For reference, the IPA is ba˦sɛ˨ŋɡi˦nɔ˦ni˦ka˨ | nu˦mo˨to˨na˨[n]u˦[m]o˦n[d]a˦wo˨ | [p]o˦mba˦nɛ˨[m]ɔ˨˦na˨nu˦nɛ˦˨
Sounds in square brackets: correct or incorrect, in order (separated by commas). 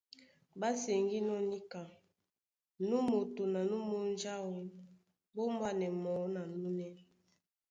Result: correct, correct, incorrect, incorrect, correct